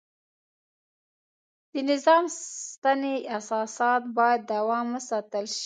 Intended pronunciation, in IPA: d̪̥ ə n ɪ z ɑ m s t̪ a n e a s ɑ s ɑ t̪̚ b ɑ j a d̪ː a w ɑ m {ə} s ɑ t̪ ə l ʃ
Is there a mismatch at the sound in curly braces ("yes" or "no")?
no